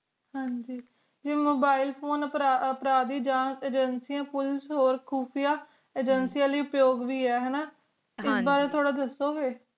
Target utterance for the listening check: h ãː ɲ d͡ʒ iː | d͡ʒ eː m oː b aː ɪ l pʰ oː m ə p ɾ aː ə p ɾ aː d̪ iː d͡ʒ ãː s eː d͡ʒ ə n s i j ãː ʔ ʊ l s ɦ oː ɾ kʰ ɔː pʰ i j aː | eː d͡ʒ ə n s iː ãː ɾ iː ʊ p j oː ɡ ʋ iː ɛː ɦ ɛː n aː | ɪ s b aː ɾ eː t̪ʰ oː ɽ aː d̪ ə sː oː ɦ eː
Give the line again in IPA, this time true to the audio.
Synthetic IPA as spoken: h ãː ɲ d͡ʒ iː | d͡ʒ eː m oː b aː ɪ l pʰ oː n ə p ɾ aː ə p ɾ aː d̪ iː d͡ʒ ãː s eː d͡ʒ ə n s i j ãː p ʊ l s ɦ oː ɾ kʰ uː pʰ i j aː | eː d͡ʒ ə n s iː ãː l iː ʊ p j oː ɡ ʋ iː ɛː ɦ ɛː n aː | ɪ s b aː ɾ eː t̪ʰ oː ɽ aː d̪ ə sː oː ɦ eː

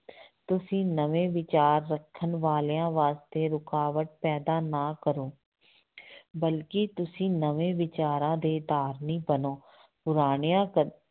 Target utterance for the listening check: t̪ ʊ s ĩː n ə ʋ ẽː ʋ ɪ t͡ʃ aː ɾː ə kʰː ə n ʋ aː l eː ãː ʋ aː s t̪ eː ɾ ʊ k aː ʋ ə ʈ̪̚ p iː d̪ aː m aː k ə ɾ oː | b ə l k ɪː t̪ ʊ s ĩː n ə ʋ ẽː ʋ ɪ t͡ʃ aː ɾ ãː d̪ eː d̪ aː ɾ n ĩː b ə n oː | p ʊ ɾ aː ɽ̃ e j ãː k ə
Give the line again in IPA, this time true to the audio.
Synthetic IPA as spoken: t̪ ʊ s ĩː n ə ʋ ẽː ʋ ɪ t͡ʃ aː ɾː ə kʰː ə n ʋ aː l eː ãː ʋ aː s t̪ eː ɾ ʊ k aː ʋ ə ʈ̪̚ p ɛː d̪ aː n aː k ə ɾ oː | b ə l k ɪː t̪ ʊ s ĩː n ə ʋ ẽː ʋ ɪ t͡ʃ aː ɾ ãː d̪ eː d̪ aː ɾ n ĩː b ə n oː | p ʊ ɾ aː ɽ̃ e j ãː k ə

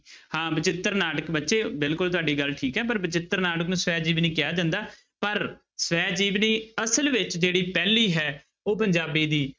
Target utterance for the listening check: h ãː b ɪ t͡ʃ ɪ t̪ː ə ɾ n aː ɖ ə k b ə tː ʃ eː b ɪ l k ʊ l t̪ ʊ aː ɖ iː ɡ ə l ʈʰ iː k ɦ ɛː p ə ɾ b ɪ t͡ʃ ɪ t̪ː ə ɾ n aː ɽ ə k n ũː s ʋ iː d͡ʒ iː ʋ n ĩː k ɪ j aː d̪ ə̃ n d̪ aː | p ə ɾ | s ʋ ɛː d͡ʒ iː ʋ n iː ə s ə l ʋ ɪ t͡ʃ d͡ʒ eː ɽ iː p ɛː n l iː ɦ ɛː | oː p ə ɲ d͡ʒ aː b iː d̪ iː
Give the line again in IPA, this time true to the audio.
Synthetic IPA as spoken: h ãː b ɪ t͡ʃ ɪ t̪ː ə ɾ n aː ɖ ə k b ə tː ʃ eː b ɪ l k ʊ l t̪ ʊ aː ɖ iː ɡ ə l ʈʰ iː k ɦ ɛː p ə ɾ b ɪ t͡ʃ ɪ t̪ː ə ɾ n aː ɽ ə k n ũː s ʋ ɛː d͡ʒ iː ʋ n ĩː k ɪ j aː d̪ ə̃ n d̪ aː | p ə ɾ | s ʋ ɛː d͡ʒ iː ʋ n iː ə s ə l ʋ ɪ t͡ʃ d͡ʒ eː ɽ iː p ɛː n l iː ɦ ɛː | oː p ə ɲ d͡ʒ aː b iː d̪ iː

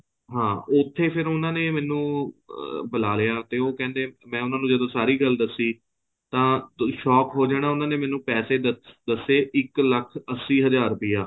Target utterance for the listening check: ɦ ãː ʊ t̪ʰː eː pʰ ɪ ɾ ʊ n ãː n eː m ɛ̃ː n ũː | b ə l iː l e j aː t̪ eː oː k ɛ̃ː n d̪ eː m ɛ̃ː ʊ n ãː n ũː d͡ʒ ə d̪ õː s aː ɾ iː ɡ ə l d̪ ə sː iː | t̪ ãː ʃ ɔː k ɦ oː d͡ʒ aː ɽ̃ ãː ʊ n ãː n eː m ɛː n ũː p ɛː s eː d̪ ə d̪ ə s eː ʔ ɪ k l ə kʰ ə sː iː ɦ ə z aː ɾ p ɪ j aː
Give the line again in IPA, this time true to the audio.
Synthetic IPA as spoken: ɦ ãː ʊ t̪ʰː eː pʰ ɪ ɾ ʊ n ãː n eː m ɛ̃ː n ũː | b ə l aː l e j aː t̪ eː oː k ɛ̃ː n d̪ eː m ɛ̃ː ʊ n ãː n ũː d͡ʒ ə d̪ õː s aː ɾ iː ɡ ə l d̪ ə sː iː | t̪ ãː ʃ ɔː k ɦ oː d͡ʒ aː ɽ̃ aː ʊ n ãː n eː m ɛː n ũː p ɛː s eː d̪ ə d̪ ə s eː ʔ ɪ k l ə kʰ ə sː iː ɦ ə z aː ɾ p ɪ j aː

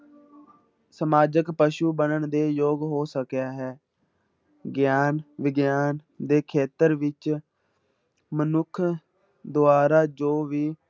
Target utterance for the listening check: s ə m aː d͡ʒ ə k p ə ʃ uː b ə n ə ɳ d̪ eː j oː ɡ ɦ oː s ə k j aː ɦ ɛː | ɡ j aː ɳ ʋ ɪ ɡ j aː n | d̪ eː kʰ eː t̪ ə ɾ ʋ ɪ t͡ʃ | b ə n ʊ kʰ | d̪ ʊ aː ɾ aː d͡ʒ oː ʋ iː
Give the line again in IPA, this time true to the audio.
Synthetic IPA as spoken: s ə m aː d͡ʒ ə k p ə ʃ uː b ə n ə ɳ d̪ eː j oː ɡ ɦ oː s ə k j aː ɦ ɛː | ɡ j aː n ʋ ɪ ɡ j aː n | d̪ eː kʰ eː t̪ ə ɾ ʋ ɪ t͡ʃ | m ə n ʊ kʰ | d̪ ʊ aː ɾ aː d͡ʒ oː ʋ iː

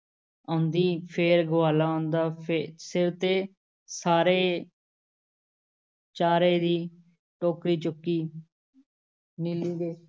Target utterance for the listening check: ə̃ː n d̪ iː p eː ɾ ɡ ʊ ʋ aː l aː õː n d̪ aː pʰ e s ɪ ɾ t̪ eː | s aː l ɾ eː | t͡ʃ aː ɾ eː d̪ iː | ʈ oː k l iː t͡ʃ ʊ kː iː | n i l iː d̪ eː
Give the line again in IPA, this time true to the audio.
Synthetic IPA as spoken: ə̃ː n d̪ iː pʰ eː ɾ ɡ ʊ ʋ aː l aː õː n d̪ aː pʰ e s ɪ ɾ t̪ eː | s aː ɾ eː | t͡ʃ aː ɾ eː d̪ iː | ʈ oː k ɾ iː t͡ʃ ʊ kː iː | n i l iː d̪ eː

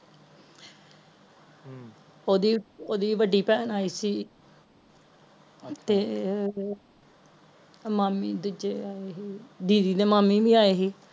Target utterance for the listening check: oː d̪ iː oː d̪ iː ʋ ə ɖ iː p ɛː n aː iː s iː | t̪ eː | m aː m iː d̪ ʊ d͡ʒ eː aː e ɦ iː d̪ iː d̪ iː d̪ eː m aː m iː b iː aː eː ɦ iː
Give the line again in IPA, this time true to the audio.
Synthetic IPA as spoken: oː d̪ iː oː d̪ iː ʋ ə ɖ iː p ɛː n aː iː s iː | t̪ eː | m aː m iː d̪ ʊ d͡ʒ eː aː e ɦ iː d̪ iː d̪ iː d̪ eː m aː m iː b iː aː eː ɦ iː

